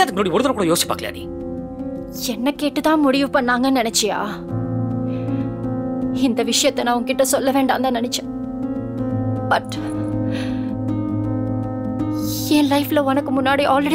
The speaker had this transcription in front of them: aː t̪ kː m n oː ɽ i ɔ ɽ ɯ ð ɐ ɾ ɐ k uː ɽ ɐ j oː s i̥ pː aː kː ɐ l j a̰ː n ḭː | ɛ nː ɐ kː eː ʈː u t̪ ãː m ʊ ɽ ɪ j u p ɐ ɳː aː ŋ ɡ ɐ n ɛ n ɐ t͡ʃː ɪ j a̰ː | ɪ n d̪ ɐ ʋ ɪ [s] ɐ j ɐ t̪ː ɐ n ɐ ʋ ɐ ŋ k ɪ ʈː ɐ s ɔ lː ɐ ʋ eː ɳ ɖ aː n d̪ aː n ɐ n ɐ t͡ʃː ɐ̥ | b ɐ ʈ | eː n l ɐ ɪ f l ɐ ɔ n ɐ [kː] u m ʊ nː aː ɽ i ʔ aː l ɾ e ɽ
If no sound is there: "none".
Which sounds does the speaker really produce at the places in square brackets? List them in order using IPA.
ʂ, kː

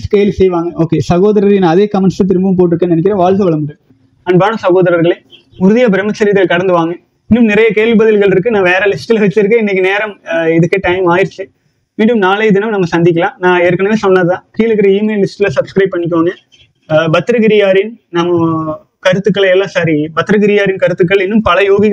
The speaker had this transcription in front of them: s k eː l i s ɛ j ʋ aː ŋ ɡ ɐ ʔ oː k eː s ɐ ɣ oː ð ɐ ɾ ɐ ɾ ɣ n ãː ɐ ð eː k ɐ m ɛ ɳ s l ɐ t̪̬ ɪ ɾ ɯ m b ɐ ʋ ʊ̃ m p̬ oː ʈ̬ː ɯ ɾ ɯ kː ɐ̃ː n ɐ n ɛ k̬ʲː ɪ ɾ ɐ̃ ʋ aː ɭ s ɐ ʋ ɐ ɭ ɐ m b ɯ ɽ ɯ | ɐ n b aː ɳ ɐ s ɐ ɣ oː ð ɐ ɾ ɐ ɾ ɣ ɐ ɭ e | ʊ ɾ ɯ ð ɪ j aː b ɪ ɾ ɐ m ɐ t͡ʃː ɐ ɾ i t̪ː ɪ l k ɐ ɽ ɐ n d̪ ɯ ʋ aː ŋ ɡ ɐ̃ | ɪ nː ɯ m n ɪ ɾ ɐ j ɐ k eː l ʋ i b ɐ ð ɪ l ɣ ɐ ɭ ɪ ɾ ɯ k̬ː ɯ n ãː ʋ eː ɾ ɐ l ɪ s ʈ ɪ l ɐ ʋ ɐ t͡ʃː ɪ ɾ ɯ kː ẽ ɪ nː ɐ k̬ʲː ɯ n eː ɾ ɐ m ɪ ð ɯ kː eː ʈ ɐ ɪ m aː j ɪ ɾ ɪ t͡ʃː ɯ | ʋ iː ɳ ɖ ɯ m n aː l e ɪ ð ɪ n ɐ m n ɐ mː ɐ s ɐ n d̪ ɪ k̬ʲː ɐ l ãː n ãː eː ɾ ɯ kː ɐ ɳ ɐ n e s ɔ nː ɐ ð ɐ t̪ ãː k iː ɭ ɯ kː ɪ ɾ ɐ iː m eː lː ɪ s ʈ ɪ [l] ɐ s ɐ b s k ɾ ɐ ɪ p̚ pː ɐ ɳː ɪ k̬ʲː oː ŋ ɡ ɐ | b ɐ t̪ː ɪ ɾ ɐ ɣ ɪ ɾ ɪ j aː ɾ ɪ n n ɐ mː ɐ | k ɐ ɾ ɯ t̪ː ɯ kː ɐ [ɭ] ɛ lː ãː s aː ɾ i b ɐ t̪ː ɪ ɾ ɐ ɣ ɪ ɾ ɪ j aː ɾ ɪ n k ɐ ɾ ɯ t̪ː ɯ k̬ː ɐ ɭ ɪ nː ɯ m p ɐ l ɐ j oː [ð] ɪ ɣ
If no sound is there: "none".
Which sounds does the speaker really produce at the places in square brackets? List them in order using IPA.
l, ɭ, ɣ

